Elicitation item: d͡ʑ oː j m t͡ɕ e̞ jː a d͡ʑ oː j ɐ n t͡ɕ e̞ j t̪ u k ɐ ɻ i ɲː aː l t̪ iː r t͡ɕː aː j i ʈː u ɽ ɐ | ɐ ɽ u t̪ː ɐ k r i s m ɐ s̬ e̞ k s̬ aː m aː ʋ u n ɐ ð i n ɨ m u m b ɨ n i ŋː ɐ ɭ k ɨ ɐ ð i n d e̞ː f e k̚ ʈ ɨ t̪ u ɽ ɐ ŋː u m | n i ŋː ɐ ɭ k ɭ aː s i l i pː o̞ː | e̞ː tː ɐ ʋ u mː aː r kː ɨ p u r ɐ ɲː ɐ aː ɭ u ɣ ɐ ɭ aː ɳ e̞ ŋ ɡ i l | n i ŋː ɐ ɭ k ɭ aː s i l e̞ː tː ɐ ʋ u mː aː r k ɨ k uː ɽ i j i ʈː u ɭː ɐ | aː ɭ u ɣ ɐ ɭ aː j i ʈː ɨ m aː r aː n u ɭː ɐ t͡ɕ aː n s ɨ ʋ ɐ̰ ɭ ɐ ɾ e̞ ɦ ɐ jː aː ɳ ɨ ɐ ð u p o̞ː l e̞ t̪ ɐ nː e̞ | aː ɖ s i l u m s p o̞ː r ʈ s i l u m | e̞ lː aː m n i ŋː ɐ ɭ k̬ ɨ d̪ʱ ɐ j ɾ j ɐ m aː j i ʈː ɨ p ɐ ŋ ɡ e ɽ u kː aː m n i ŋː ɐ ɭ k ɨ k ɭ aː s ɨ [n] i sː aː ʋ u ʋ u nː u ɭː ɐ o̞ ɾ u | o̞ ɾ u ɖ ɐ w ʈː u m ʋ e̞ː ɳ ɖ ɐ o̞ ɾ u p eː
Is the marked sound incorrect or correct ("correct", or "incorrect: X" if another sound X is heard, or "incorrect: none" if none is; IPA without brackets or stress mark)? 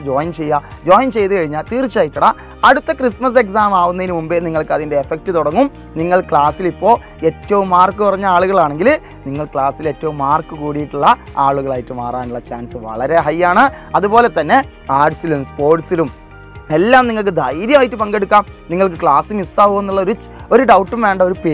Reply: incorrect: m